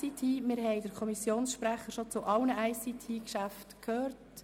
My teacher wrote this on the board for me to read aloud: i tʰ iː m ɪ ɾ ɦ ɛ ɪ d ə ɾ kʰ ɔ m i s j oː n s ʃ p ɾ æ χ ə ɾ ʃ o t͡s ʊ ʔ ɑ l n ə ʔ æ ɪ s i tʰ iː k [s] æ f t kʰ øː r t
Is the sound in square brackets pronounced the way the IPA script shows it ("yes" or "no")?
no